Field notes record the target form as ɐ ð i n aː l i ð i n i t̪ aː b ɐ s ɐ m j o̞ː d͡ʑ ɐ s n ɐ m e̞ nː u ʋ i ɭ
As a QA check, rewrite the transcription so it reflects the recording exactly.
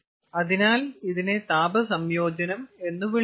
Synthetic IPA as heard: ɐ ð i n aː l i ð i n e t̪ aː b ɐ s ɐ m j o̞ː d͡ʑ ɐ n ɐ m e̞ nː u ʋ i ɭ

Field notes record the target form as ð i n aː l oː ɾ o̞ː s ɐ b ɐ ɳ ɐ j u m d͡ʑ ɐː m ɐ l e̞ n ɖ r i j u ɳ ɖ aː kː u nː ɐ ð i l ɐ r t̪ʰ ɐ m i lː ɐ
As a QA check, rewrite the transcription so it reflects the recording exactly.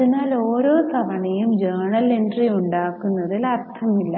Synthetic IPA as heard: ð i n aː l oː ɾ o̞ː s ɐ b ɐ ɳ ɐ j u m d͡ʑ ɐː ɳ ɐ l e̞ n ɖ r i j u ɳ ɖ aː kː u nː ɐ ð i l ɐ r t̪ʰ ɐ m i lː ɐ

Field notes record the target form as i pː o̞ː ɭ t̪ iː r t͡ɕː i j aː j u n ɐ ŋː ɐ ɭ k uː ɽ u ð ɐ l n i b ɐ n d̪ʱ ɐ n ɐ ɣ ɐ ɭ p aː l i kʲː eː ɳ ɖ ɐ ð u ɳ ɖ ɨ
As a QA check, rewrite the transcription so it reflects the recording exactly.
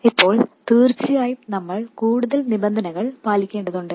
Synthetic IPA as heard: i pː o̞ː ɭ t̪ iː r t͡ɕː i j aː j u n ɐ mː ɐ ɭ k uː ɽ u ð ɐ l n i b ɐ n d̪ʱ ɐ n ɐ ɣ ɐ ɭ p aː l i kʲː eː ɳ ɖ ɐ ð u ɳ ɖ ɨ

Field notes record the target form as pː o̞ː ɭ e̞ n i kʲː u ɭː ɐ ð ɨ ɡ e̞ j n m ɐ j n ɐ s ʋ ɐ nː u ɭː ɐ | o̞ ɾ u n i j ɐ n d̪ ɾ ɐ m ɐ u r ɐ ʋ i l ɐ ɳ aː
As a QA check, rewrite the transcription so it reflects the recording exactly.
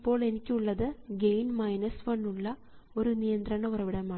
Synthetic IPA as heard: pː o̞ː ɭ e̞ n i kʲː u ɭː ɐ ð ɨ ɡ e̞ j n m ɐ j n ɐ s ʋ ɐ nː u ɭː ɐ | o̞ ɾ u n i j ɐ n d̪ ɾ ɐ ɳ ɐ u r ɐ ʋ i ɽ ɐ m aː

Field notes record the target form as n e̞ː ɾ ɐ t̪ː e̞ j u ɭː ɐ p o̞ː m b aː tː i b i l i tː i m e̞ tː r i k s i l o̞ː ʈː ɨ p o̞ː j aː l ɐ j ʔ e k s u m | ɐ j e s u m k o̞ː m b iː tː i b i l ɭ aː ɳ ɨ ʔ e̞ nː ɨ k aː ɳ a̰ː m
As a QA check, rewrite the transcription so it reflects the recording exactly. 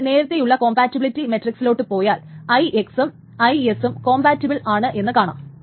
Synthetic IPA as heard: n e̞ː ɾ ɐ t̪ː e̞ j u ɭː ɐ k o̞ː m b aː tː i b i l i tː i m e̞ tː r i k s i l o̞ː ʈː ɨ p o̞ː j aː l ɐ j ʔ e k s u m | ɐ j e s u m k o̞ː m b aː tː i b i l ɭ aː ɳ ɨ ʔ e̞ nː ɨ k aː ɳ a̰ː m

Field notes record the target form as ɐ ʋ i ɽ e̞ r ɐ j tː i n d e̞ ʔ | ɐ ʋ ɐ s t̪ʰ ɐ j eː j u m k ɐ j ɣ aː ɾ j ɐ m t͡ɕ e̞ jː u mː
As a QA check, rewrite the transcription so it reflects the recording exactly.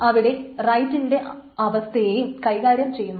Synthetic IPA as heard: ɐ ʋ i ɽ e̞ r ɐ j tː i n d e̞ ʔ | ɐ ʋ ɐ s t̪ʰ ɐ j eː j u m k ɐ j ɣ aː ɾ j ɐ m t͡ɕ e̞ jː u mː

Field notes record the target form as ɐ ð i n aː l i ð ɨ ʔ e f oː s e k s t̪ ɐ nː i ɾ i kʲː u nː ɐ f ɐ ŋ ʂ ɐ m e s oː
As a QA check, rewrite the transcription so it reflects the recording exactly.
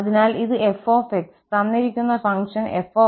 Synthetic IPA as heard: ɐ ð i n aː l i ð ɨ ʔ e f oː f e k s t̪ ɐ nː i ɾ i kʲː u nː ɐ f ɐ ŋ ʂ ɐ n e f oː

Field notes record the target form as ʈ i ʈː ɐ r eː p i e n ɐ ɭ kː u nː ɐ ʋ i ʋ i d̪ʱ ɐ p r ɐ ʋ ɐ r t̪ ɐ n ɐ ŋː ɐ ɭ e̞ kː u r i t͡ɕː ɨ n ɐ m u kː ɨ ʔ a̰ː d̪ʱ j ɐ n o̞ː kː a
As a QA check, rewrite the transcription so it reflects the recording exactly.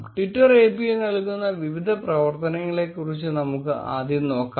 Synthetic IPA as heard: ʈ i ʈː ɐ r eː p i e n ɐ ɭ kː u nː ɐ ʋ i ʋ i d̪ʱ ɐ p r ɐ ʋ ɐ r t̪ ɐ n ɐ ŋː ɐ ɭ e̞ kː u r i t͡ɕː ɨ n ɐ m u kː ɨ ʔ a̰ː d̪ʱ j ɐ n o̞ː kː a

